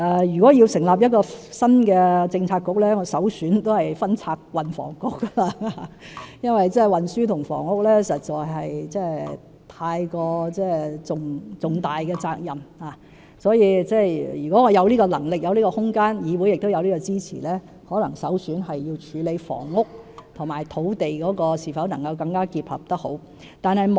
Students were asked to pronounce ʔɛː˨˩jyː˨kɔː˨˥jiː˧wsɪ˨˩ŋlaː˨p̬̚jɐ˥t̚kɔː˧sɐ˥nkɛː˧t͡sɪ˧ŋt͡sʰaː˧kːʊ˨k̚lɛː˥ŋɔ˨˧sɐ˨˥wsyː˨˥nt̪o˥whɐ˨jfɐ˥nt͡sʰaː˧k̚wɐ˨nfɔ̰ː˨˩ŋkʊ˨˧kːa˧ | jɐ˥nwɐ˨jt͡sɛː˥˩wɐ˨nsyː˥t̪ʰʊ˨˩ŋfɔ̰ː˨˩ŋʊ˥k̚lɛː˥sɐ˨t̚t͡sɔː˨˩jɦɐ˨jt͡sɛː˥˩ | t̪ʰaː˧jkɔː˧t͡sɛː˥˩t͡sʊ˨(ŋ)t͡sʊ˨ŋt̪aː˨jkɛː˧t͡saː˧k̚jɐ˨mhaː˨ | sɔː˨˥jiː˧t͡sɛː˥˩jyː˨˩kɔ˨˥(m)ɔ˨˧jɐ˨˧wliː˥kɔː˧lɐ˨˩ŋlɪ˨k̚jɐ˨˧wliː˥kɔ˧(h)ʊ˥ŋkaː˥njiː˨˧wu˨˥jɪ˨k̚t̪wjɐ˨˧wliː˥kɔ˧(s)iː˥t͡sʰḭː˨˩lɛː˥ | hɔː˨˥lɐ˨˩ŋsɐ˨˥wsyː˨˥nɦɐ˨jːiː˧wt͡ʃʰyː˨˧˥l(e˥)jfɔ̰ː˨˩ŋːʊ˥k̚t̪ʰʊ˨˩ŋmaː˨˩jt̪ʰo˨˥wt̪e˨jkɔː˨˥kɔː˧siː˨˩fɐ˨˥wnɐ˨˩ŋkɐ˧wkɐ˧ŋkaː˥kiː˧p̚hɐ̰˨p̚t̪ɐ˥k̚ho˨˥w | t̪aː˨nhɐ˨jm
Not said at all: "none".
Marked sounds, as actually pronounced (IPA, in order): ŋ, ŋ, h, t͡s, e˨˧

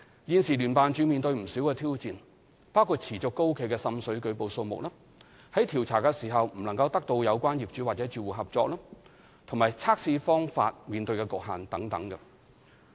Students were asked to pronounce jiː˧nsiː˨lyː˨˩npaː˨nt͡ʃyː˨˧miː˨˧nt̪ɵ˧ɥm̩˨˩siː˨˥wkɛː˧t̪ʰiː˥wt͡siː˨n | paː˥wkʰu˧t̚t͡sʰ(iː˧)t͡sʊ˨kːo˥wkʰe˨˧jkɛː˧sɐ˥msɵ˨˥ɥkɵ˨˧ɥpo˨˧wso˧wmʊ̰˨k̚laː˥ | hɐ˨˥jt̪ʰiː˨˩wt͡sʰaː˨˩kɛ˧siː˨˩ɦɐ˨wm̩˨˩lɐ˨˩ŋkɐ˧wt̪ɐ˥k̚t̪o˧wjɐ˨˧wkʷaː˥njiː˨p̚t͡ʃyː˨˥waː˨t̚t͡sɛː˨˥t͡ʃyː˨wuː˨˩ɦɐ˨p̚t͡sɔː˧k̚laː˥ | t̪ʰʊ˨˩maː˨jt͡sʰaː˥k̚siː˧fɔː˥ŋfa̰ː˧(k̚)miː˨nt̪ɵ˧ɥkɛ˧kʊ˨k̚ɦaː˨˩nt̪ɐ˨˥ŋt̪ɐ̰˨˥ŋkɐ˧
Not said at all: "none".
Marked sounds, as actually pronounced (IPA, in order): iː˨˩, t̚

